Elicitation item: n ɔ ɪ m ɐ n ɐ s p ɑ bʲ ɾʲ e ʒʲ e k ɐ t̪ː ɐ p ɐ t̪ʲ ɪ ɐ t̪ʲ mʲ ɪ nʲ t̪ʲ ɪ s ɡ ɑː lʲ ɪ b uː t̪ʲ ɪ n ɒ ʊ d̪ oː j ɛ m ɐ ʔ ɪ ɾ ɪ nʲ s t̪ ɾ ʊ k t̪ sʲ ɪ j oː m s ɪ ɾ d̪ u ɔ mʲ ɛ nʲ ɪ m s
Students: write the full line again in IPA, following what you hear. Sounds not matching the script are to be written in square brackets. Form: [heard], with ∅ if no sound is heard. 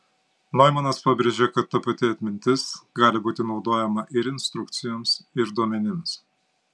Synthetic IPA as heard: n ɔ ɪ m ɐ n ɐ s p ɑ bʲ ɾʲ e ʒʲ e k ɐ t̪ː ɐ p ɐ t̪ʲ ɪ ɐ t̪ʲ mʲ ɪ nʲ t̪ʲ ɪ s ɡ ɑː lʲ ɪ b uː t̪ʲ ɪ n ɒ ʊ d̪ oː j ɛ m ɐ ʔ ɪ ɾ ɪ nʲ s t̪ ɾ ʊ k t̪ sʲ ɪ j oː m s ɪ ɾ d̪ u ɔ mʲ ɛ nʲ ɪ m s